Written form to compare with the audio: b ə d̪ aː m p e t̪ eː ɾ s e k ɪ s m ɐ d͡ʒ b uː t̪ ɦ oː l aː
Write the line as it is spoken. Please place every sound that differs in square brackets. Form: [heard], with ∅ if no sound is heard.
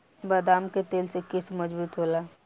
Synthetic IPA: b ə d̪ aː m [k] e t̪ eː [l] s e k ɪ s m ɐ d͡ʒ b uː t̪ ɦ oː l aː